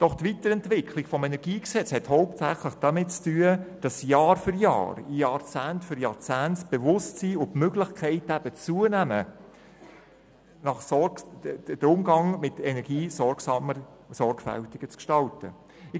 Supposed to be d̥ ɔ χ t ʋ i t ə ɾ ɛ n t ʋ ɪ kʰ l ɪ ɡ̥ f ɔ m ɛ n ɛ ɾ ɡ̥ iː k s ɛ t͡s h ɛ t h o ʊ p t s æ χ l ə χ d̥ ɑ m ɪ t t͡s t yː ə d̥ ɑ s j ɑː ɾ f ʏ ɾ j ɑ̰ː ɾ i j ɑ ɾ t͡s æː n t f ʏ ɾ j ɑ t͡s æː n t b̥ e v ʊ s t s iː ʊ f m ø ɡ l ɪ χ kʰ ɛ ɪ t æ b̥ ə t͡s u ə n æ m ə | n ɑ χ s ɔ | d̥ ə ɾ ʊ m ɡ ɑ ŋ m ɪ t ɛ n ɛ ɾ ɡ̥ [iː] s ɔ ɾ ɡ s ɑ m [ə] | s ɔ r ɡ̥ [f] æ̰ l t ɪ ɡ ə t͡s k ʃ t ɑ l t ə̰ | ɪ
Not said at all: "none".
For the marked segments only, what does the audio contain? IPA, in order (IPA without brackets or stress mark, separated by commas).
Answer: iː, ə, f